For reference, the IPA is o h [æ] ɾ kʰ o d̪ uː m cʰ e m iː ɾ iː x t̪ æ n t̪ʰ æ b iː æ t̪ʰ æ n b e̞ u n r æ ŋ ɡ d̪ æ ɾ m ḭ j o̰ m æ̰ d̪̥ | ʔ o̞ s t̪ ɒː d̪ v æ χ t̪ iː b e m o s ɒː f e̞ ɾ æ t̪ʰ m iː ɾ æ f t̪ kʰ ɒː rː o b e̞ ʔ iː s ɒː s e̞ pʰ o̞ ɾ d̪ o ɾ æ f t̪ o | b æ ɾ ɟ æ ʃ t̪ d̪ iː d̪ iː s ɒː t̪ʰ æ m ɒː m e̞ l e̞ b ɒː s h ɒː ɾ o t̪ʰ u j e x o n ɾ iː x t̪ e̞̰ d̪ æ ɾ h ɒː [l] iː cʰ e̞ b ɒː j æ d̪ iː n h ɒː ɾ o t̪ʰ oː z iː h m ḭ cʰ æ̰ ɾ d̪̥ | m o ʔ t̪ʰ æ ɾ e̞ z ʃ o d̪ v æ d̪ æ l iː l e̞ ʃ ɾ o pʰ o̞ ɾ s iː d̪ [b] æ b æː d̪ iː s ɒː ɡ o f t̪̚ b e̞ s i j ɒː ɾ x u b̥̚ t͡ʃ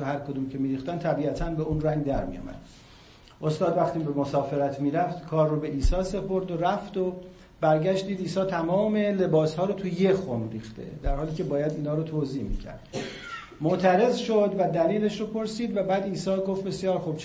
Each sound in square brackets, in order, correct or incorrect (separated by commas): correct, correct, incorrect